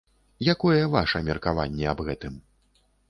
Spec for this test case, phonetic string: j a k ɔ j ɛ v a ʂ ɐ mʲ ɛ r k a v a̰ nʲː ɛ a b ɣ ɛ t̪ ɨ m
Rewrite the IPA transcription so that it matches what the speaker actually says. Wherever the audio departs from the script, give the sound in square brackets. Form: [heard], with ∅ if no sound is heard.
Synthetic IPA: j a k ɔ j ɛ v a ʂ ɐ mʲ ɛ r k a v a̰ nʲː ɛ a b ɣ ɛ t̪ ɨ m